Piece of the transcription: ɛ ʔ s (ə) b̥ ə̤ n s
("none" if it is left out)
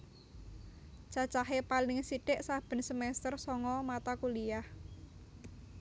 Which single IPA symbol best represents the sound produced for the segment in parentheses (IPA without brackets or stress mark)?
a